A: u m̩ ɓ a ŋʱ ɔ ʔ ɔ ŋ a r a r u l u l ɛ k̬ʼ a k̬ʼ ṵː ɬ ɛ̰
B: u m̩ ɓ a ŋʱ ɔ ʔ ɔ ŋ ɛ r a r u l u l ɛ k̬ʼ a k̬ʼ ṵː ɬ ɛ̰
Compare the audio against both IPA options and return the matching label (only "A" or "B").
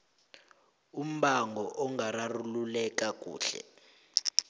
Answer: A